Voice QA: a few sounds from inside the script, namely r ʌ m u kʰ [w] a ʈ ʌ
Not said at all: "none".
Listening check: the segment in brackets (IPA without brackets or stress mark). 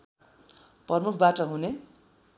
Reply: b